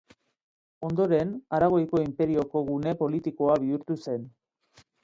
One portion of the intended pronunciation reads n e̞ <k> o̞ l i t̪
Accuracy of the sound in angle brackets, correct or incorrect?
incorrect